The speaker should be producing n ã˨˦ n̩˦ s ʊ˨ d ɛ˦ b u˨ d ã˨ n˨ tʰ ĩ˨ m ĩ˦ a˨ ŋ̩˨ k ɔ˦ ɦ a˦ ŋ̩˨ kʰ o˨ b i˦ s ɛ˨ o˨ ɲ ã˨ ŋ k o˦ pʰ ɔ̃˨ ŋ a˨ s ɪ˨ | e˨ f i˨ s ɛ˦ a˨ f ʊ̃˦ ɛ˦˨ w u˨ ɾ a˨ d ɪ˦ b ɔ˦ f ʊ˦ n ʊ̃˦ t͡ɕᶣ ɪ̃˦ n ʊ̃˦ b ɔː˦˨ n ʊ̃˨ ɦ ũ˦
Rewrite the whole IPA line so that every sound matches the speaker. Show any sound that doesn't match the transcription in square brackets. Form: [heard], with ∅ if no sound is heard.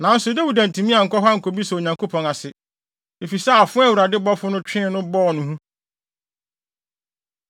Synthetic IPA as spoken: n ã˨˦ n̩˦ s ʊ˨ d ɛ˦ [w] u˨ d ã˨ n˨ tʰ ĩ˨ m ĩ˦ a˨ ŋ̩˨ k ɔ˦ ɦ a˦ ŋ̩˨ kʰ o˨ b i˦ s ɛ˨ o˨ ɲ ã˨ ŋ k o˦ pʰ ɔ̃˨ ŋ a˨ s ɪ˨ | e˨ f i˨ s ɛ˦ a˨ f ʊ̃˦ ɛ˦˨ w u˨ ɾ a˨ d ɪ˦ b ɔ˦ f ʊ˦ n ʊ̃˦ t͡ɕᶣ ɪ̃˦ n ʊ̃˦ b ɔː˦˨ n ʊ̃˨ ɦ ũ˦

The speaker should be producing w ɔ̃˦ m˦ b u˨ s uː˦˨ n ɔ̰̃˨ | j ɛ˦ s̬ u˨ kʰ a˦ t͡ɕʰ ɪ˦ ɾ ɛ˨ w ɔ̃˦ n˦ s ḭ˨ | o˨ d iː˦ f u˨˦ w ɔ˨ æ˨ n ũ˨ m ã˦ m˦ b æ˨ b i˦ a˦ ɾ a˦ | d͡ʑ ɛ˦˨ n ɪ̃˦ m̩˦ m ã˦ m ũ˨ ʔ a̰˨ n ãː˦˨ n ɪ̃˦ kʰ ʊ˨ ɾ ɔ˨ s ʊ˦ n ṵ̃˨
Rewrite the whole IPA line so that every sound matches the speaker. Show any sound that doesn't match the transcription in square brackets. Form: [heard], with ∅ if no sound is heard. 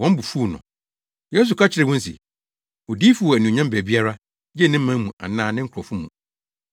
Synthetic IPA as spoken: w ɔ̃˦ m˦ b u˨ [f] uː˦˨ n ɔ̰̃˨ | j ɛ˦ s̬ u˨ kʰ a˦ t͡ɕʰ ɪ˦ ɾ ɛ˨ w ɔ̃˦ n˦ s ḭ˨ | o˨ d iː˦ f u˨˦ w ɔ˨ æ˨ n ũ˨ [ɲ] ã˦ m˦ b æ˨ b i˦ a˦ ɾ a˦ | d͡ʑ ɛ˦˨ n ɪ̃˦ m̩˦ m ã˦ m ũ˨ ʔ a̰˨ n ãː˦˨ n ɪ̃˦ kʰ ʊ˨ ɾ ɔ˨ [f] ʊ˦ [m] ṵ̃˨

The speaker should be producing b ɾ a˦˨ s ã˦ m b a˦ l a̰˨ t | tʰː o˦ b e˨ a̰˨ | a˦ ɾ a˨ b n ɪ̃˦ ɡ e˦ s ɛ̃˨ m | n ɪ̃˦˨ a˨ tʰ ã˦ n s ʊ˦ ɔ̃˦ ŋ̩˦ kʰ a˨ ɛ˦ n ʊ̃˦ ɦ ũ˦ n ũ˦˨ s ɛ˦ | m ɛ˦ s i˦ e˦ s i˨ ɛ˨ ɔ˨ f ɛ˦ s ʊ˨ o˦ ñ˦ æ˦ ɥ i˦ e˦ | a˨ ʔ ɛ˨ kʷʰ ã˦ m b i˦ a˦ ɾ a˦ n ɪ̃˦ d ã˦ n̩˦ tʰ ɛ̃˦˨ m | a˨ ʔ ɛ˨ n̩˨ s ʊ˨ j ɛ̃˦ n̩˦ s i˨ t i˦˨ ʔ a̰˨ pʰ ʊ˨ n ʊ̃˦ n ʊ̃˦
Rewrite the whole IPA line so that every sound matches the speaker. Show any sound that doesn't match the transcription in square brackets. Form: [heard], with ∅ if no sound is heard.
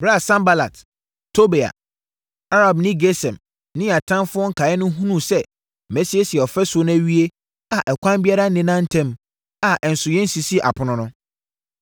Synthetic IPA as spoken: b ɾ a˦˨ s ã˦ m b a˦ l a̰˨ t | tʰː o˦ b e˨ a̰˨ | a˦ ɾ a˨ b n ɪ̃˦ ɡ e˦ s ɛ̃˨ m | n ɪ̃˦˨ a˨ tʰ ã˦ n [f] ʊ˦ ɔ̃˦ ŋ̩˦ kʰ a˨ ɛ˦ n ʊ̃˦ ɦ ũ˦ n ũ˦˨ s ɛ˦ | m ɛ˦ s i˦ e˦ s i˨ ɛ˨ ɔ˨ f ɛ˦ s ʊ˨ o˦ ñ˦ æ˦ ɥ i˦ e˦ | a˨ ʔ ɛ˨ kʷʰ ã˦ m b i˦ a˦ ɾ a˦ n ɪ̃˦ [n] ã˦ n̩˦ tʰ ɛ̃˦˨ m | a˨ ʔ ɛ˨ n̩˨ s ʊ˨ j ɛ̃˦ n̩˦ s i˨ [s] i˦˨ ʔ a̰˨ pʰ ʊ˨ n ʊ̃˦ n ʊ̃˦

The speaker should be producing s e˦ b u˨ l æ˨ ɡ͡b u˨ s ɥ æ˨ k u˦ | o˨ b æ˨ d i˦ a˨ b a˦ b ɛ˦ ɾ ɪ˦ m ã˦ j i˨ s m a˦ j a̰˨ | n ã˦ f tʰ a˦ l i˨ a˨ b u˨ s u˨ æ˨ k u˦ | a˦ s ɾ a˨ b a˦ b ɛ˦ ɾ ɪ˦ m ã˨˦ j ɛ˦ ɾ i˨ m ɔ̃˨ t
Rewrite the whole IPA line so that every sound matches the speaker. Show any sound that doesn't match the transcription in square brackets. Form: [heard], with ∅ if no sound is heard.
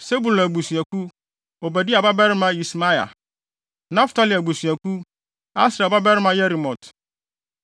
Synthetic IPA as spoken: s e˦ b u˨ l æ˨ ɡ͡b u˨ s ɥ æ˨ k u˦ | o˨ b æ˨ d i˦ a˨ b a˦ b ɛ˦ ɾ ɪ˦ m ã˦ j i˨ s m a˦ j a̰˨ | n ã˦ f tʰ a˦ l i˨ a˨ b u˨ s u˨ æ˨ k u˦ | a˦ s ɾ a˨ b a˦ b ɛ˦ ɾ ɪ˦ m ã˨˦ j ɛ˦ ɾ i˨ m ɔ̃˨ t

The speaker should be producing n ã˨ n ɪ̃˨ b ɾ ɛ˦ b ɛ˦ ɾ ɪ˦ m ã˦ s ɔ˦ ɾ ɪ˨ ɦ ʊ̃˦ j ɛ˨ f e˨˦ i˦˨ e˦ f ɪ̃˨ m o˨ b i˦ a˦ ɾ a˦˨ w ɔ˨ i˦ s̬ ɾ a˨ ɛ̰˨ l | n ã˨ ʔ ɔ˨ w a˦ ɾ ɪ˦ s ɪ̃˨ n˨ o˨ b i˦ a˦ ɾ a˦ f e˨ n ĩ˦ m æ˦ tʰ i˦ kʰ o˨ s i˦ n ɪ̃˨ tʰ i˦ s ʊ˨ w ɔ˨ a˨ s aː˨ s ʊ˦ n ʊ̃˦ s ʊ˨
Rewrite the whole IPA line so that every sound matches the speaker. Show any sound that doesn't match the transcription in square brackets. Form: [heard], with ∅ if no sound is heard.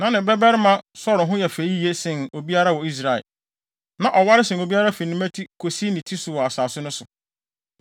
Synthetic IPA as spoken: n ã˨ n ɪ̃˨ b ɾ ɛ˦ b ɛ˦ ɾ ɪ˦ m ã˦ s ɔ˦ ɾ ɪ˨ ɦ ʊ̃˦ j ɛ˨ f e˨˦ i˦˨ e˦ [s] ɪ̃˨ [n] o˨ b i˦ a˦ ɾ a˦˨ w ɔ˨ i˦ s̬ ɾ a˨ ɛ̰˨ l | n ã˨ ʔ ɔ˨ w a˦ ɾ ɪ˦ s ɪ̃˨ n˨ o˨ b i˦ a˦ ɾ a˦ f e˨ n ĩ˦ m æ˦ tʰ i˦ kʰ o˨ s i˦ n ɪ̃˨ tʰ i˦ s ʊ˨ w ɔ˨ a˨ s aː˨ s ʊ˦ n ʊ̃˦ s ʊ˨

